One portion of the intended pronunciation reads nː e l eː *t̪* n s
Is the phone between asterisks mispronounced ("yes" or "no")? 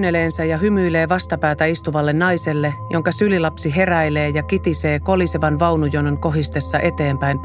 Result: yes